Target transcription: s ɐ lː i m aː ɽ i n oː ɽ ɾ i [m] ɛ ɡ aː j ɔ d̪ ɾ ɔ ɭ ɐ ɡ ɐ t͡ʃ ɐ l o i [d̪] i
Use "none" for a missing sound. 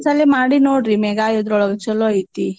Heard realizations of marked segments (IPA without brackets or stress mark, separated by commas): m, t̪